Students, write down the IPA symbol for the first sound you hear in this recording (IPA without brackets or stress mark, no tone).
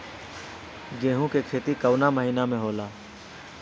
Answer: ɡ